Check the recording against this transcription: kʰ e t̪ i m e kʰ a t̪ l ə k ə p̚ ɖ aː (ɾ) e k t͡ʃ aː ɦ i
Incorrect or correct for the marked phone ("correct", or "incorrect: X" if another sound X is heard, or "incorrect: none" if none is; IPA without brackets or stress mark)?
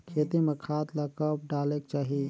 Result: incorrect: l